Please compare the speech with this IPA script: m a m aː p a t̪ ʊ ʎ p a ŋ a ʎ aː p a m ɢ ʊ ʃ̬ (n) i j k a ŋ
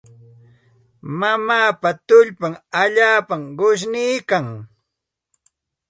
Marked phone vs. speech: correct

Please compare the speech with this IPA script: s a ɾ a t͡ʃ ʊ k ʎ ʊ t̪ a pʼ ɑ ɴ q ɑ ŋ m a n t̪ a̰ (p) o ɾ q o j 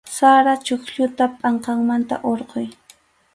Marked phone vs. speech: incorrect: ʔ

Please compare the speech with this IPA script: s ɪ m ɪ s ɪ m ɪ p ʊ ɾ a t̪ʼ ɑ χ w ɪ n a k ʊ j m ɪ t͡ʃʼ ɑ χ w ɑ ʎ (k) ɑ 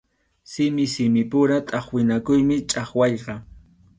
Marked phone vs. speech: incorrect: q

